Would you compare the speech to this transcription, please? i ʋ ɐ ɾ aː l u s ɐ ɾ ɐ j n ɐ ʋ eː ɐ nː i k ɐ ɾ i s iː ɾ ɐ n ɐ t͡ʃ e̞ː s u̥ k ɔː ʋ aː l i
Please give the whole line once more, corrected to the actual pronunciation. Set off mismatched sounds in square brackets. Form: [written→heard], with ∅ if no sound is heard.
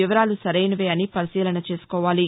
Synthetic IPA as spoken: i ʋ ɐ ɾ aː l u s ɐ ɾ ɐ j n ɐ ʋ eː ɐ [nː→n] i [k→p] ɐ ɾ i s iː [ɾ→l] ɐ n ɐ t͡ʃ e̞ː s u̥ k ɔː ʋ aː l i